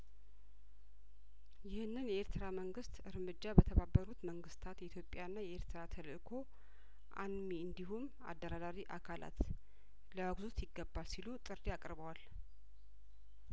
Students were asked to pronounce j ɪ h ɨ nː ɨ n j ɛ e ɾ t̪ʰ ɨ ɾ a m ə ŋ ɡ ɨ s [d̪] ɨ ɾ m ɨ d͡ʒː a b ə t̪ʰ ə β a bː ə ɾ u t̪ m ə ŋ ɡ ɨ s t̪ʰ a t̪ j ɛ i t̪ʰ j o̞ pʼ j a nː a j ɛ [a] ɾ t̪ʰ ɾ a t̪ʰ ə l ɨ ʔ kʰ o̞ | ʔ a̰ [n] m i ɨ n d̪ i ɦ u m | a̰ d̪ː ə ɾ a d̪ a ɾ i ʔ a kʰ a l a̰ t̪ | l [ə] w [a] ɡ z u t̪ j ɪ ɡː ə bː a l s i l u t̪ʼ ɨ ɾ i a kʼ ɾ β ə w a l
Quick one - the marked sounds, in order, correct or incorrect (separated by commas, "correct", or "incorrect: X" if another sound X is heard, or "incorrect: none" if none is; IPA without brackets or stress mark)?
incorrect: t̪, incorrect: e, correct, correct, correct